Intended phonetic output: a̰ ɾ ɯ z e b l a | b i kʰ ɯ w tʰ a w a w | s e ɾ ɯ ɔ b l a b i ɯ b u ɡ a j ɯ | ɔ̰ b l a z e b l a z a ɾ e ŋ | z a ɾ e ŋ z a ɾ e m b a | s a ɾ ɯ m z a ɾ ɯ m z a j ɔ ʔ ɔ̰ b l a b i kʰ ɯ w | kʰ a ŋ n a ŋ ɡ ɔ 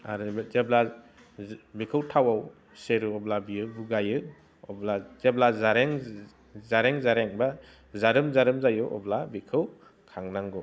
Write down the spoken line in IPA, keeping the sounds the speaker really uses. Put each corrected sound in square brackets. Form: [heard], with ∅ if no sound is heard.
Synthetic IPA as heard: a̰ ɾ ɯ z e b l a | b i kʰ ɯ w tʰ a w a w | s e ɾ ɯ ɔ b l a b i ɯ b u ɡ a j ɯ | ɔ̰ b l a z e b l a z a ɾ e ŋ | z a ɾ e ŋ z a ɾ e [ŋ] b a | [z] a ɾ ɯ m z a ɾ ɯ m z a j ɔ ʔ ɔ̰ b l a b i kʰ ɯ w | kʰ a ŋ n a ŋ ɡ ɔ